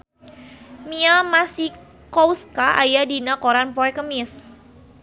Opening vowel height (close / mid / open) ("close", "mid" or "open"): close